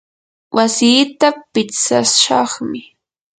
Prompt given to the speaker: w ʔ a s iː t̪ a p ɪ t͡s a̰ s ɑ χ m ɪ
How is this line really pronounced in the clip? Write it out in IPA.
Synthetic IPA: w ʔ a s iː t̪ a p ɪ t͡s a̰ ʃ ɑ χ m ɪ